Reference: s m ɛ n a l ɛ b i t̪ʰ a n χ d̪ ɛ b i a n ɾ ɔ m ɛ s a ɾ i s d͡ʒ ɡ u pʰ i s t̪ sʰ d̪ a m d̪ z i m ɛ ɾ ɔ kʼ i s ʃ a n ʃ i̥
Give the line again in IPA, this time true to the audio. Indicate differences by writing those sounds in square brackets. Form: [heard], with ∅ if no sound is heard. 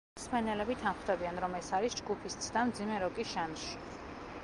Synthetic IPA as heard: s m ɛ n [ɛ] l ɛ b i t̪ʰ a n χ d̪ ɛ b i a n ɾ ɔ m ɛ s a ɾ i s d͡ʒ ɡ u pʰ i s t̪ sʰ d̪ a m d̪ z i m ɛ ɾ ɔ kʼ i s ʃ a n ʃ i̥